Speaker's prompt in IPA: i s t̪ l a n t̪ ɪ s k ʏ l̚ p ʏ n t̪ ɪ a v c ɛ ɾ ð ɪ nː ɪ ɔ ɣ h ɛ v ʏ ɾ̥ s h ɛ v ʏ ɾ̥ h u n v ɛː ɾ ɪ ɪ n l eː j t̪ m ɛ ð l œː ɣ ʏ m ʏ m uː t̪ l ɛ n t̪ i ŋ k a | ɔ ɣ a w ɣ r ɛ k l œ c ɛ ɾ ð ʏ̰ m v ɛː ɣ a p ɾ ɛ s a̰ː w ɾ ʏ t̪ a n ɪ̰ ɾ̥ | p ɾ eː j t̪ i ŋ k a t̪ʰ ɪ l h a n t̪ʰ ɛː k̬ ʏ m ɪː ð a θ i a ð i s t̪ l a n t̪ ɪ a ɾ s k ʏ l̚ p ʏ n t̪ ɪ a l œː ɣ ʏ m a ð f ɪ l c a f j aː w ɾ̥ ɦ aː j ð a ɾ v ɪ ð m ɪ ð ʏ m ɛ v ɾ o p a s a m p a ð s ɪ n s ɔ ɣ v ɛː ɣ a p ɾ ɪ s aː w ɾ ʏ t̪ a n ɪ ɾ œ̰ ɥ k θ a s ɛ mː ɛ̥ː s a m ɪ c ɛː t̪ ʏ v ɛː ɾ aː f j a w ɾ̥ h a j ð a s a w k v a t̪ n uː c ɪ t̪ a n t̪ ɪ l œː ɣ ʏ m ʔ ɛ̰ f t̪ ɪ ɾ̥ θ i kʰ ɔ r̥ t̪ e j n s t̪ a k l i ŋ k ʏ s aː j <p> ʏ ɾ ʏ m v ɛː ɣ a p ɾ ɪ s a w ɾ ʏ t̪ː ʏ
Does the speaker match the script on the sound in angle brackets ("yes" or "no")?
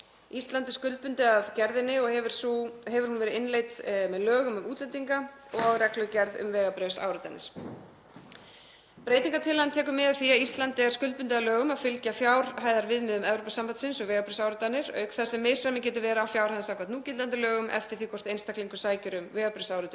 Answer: no